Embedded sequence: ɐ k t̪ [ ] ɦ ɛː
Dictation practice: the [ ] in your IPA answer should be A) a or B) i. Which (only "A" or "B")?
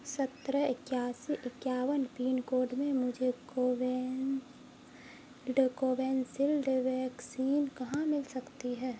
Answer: B